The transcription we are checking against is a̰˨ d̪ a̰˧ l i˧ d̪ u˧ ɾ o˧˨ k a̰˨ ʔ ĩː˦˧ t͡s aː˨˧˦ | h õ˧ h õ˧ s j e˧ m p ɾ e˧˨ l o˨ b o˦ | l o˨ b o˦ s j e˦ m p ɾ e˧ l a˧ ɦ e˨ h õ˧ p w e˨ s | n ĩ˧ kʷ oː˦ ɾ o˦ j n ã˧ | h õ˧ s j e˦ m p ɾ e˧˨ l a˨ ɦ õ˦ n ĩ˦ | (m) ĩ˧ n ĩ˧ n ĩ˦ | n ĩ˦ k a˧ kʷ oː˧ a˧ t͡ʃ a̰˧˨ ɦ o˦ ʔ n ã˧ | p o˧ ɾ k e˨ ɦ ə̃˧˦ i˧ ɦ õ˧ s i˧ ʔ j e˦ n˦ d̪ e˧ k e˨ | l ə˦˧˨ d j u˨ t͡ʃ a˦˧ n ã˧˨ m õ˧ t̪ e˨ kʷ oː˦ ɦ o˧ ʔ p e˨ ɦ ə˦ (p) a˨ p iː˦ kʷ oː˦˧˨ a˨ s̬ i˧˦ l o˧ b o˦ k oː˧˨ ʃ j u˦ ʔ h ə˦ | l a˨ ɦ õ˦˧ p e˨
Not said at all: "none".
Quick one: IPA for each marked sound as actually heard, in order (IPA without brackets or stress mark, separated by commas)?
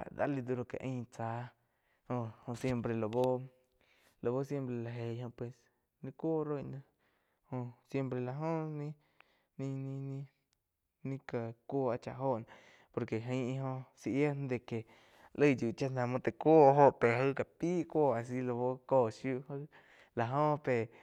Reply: n, k